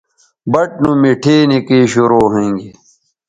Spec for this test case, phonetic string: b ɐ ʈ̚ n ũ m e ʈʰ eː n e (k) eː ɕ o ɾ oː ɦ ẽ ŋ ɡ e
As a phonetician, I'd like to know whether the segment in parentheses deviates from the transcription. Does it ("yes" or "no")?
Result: no